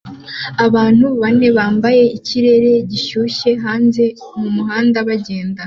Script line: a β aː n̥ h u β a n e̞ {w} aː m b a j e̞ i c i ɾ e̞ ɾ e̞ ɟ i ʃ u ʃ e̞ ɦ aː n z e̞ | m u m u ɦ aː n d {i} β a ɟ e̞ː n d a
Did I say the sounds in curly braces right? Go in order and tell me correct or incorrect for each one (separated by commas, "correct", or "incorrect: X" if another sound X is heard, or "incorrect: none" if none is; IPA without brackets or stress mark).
incorrect: β, incorrect: a